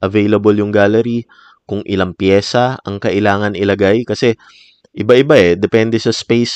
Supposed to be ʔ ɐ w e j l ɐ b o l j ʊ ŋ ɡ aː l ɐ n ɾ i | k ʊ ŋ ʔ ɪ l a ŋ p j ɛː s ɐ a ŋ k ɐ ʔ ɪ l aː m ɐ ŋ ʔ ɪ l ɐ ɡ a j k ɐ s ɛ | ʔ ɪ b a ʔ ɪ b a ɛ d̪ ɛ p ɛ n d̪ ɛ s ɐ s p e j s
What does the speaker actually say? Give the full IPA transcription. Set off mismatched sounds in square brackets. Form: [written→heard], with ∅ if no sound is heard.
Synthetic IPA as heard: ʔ ɐ [w→v] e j l ɐ b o l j ʊ ŋ ɡ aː l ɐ [n→∅] ɾ i | k ʊ ŋ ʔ ɪ l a ŋ p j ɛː s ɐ [a→ɐ] ŋ k ɐ ʔ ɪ l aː [m→ŋ] ɐ [ŋ→n] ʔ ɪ l ɐ ɡ a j k ɐ s ɛ | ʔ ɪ b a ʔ ɪ b a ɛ d̪ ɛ p ɛ n d̪ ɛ s ɐ s p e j s